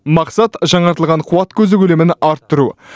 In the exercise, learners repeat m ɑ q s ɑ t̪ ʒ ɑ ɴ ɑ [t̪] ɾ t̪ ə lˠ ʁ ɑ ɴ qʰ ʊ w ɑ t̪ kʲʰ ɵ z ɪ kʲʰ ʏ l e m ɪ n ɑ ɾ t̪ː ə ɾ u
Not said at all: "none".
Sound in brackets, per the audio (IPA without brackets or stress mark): none